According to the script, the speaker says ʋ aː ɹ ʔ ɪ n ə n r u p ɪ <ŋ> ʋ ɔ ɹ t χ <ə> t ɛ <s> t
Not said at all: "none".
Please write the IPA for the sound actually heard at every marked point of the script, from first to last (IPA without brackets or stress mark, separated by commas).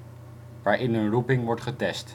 ŋ, ə, s